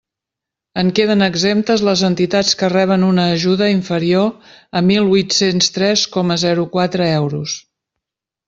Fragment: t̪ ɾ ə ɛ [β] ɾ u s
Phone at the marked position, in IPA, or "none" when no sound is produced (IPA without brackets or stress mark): w